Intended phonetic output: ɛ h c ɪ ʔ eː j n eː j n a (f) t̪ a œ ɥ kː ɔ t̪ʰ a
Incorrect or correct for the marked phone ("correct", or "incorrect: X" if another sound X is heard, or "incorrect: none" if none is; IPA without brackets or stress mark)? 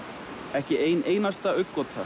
incorrect: s